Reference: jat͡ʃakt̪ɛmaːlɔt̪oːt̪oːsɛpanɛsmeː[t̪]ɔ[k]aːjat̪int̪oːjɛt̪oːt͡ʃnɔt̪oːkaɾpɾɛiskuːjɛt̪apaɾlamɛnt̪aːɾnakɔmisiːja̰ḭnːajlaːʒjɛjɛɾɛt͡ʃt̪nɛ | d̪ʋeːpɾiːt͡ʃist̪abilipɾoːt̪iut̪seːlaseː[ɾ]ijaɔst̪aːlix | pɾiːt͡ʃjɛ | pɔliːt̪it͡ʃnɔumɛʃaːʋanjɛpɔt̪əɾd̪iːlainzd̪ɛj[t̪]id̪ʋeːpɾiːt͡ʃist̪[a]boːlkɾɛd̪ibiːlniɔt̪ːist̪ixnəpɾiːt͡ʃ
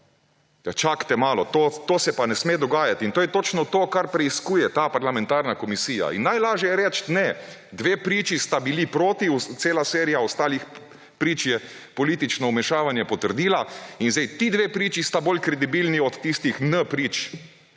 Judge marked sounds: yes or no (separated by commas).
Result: no, no, yes, yes, yes